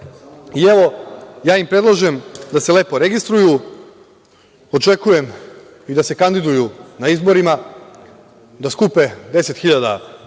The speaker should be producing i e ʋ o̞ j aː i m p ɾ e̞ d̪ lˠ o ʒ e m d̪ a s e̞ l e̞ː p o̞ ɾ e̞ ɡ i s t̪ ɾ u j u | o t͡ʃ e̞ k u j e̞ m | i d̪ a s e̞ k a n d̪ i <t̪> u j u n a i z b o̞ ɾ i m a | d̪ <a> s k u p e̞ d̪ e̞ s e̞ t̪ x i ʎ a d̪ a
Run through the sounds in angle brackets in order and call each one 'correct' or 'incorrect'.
incorrect, correct

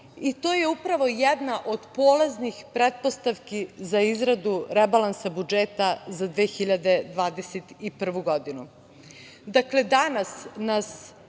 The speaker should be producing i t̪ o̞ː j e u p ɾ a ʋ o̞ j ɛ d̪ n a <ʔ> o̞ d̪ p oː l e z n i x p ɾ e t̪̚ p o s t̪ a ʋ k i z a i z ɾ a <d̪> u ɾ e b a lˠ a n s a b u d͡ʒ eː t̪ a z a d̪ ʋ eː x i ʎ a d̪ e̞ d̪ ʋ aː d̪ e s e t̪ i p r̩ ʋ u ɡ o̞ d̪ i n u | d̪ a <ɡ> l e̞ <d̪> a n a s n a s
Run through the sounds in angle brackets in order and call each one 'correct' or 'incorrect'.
correct, correct, incorrect, correct

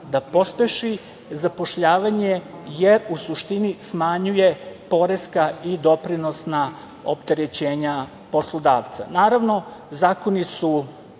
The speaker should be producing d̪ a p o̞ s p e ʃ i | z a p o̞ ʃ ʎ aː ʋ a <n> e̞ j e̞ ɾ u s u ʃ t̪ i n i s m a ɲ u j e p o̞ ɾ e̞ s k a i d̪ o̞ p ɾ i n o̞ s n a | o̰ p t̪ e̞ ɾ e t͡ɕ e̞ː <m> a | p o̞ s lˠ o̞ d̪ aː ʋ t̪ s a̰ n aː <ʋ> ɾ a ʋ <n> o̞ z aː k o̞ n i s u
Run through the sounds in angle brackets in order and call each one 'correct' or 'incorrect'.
incorrect, incorrect, incorrect, correct

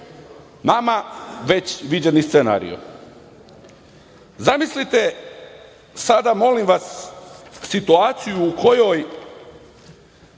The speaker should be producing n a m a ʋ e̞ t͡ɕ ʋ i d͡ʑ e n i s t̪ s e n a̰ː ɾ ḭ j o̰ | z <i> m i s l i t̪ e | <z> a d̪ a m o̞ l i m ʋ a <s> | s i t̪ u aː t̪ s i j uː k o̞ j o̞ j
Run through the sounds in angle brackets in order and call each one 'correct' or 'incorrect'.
incorrect, incorrect, correct

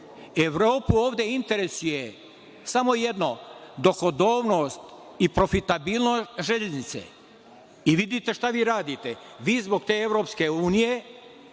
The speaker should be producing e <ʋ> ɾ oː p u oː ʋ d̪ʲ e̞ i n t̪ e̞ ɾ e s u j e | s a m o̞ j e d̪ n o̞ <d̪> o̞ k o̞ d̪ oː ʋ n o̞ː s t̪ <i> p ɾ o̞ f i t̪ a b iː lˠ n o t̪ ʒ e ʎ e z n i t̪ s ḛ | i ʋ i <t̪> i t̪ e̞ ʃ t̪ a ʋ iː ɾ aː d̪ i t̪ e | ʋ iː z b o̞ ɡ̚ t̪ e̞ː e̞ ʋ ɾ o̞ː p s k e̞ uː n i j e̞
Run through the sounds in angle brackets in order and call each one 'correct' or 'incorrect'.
correct, correct, correct, incorrect

